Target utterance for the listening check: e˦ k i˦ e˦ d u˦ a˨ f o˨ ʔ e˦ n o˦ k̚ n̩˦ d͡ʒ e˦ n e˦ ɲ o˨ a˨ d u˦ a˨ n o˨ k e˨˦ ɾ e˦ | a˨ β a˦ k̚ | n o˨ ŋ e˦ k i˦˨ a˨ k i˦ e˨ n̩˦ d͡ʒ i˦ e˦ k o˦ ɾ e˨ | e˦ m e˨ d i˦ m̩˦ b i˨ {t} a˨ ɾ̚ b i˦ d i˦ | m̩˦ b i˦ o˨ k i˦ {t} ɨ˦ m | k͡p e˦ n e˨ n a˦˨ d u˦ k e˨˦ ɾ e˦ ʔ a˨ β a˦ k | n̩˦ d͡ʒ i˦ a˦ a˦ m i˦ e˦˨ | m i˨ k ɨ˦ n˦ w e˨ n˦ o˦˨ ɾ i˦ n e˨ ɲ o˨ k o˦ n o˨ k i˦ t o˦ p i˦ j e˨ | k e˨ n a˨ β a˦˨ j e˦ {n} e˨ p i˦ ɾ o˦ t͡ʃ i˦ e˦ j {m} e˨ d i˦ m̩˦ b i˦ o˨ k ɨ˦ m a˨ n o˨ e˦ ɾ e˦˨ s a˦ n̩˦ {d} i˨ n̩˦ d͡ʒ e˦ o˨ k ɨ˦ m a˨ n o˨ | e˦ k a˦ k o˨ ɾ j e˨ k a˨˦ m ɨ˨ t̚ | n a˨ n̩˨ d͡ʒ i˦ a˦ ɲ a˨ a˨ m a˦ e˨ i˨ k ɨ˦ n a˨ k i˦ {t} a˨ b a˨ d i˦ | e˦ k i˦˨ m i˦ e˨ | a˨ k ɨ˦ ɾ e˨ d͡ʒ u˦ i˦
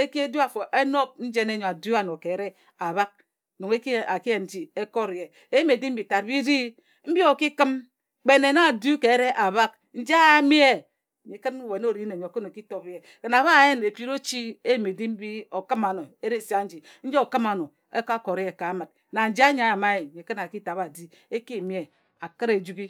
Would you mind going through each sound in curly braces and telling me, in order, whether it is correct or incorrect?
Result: correct, incorrect: k, correct, correct, incorrect: d͡ʒ, correct

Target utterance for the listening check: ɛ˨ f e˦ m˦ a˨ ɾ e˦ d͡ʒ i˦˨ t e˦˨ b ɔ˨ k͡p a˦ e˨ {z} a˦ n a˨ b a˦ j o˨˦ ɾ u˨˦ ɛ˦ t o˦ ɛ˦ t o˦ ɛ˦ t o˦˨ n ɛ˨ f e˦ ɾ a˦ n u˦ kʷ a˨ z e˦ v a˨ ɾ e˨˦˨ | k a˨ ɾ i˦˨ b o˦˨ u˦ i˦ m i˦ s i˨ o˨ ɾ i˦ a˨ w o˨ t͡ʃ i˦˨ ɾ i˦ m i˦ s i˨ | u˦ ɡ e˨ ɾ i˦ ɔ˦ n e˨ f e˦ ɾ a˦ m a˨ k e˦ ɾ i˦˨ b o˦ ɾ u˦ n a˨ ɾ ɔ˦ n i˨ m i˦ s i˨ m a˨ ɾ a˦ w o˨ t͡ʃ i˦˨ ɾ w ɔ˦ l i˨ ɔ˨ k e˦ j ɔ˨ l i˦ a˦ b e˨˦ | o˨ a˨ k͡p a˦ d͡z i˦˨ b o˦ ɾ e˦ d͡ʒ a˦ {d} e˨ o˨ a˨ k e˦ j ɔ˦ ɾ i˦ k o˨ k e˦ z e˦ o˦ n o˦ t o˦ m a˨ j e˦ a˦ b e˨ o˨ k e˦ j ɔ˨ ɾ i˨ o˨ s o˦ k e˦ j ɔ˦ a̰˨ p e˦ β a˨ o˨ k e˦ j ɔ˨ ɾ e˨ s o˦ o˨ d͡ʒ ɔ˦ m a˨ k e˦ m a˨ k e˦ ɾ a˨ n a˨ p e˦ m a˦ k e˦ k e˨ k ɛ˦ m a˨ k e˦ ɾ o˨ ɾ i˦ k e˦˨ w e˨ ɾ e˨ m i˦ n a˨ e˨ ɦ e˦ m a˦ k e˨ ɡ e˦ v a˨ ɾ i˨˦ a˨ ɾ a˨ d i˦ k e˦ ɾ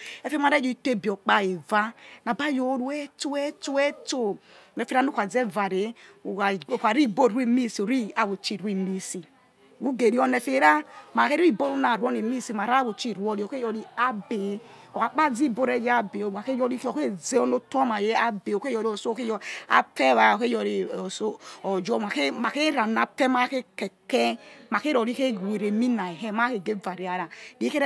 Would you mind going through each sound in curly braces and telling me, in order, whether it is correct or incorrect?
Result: incorrect: v, incorrect: b

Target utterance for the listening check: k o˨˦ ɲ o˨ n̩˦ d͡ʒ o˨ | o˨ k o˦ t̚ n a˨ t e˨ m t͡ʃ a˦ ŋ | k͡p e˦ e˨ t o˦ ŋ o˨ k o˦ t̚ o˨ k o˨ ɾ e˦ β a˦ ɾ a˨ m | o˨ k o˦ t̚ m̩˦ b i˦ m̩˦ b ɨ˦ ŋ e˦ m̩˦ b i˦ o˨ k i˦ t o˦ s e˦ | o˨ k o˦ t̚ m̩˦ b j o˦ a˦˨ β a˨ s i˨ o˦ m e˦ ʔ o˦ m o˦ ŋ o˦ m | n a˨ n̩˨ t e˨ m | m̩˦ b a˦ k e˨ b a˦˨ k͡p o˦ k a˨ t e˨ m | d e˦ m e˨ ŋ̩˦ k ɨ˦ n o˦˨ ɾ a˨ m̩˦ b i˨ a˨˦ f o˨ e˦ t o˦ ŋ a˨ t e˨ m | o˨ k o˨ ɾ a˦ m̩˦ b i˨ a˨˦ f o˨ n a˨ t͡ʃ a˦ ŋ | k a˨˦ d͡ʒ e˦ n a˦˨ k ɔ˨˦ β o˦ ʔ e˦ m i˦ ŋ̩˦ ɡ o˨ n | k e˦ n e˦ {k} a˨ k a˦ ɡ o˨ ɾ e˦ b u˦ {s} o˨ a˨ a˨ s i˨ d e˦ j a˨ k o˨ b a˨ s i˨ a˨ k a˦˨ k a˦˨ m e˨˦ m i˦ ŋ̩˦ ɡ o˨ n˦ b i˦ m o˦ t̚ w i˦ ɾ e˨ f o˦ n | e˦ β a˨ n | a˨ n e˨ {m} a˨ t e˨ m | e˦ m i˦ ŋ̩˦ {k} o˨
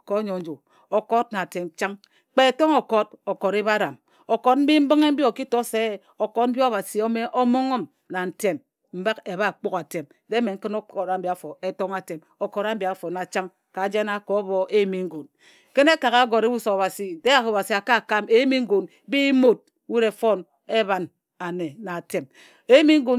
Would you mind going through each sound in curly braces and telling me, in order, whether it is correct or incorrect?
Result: correct, correct, incorrect: n, incorrect: ɡ

